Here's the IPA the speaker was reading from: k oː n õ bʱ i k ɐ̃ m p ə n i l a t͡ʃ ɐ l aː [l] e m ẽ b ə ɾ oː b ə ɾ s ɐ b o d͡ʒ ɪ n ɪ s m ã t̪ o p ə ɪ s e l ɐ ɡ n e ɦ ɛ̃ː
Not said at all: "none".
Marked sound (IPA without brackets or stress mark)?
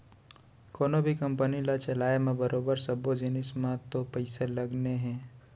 none